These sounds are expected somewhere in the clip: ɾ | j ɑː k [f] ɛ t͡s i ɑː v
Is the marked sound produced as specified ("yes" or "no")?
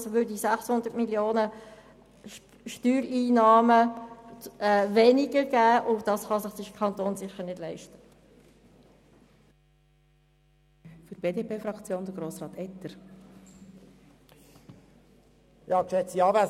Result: no